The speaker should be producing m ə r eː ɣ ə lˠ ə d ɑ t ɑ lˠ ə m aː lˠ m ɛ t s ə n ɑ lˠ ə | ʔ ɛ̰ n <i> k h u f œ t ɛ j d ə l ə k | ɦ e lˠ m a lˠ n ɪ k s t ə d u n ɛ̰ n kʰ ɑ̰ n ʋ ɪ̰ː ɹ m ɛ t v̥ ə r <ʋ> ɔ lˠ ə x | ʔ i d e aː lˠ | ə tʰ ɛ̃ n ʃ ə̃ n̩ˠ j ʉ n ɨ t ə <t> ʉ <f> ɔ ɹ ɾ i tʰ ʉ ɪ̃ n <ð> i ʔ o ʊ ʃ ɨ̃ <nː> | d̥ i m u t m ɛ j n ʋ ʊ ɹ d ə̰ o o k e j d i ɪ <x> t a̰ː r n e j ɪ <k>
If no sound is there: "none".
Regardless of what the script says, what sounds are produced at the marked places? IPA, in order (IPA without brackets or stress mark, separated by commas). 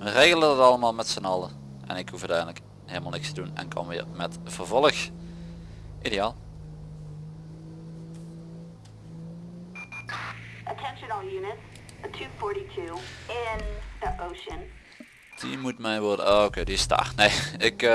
ɪ, v, tʰ, f, ð, n, s, k